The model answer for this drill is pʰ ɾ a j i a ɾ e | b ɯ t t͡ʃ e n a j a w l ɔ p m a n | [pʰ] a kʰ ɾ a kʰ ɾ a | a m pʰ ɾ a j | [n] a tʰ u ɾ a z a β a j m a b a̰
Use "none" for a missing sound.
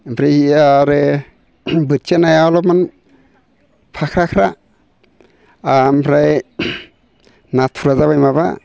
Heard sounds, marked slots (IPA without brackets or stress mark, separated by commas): pʰ, n